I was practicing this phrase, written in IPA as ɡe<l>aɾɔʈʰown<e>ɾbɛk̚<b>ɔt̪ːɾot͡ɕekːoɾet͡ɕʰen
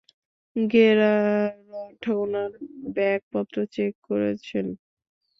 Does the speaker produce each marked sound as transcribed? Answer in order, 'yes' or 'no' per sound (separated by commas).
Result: no, no, no